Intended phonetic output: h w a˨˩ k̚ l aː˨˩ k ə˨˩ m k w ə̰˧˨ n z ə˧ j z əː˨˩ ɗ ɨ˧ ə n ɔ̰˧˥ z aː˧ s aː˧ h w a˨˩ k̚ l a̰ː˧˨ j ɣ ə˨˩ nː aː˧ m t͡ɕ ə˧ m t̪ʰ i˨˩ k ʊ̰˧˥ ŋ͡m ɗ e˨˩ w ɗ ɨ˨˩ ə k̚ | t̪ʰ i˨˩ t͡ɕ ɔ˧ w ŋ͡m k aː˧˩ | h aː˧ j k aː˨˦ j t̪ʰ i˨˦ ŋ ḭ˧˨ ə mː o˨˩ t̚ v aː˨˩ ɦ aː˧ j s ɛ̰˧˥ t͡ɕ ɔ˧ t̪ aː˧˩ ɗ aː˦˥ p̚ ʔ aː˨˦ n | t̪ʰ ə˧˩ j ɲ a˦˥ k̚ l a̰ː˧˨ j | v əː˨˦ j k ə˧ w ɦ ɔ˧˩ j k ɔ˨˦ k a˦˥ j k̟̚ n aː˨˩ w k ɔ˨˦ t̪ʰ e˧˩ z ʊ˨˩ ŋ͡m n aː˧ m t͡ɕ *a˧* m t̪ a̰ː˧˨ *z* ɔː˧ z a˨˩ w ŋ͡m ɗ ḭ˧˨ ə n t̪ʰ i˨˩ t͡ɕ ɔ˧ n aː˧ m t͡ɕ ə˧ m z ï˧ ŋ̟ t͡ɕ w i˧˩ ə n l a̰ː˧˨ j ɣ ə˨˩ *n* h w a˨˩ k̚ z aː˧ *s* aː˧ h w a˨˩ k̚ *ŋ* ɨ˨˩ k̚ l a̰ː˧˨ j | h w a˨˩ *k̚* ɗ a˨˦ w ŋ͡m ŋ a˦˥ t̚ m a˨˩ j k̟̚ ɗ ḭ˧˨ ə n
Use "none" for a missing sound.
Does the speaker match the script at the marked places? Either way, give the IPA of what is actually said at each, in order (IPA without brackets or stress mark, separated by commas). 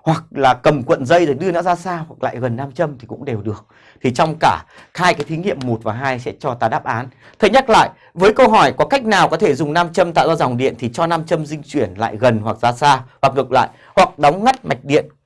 ə˧, z, n, s, ŋ, k̚